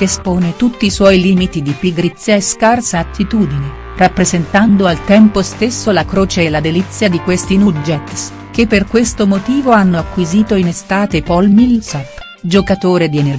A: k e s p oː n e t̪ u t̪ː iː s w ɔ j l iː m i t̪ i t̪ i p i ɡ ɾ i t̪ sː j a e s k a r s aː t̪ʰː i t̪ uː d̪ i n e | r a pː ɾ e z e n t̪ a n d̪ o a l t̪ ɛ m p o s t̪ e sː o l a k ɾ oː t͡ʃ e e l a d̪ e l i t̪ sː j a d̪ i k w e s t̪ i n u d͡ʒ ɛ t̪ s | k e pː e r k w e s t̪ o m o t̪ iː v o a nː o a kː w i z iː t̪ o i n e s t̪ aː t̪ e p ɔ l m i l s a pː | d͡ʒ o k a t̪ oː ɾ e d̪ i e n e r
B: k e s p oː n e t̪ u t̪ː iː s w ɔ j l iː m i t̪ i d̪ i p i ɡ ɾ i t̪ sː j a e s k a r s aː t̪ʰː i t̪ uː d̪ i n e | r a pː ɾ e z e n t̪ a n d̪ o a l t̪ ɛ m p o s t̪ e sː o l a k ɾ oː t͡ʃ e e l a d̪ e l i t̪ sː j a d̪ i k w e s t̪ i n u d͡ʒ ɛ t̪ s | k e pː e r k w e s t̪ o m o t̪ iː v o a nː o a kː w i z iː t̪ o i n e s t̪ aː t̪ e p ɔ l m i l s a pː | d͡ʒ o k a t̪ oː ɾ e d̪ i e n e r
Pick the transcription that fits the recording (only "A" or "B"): B